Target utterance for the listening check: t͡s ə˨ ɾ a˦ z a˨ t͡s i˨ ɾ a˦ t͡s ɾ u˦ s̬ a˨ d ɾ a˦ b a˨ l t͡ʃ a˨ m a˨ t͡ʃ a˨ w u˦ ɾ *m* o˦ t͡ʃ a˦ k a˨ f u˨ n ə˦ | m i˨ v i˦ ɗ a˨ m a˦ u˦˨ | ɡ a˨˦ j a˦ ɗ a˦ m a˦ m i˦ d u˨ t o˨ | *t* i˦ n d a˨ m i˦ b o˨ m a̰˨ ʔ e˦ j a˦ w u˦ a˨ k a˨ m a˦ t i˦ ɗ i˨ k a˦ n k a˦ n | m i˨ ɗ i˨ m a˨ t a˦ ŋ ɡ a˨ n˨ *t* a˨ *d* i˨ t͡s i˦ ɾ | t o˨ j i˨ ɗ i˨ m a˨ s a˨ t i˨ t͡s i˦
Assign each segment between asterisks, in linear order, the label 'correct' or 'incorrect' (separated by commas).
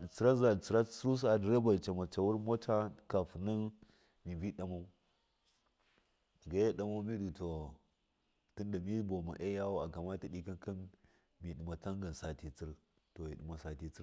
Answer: correct, correct, incorrect, incorrect